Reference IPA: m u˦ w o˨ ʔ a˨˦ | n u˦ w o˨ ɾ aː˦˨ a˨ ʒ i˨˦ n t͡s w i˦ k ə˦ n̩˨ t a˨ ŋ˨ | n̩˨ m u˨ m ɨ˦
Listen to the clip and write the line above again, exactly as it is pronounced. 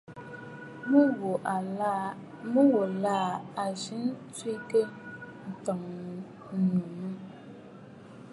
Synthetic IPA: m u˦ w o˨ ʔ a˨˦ | m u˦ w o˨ l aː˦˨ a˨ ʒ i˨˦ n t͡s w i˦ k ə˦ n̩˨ t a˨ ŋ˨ | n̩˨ n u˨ m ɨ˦